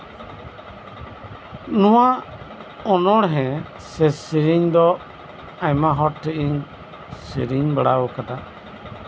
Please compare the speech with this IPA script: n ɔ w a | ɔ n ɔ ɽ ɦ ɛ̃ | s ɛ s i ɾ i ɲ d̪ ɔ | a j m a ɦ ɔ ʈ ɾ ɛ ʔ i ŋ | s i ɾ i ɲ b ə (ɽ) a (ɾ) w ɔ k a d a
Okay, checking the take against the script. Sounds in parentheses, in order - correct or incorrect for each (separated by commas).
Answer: correct, incorrect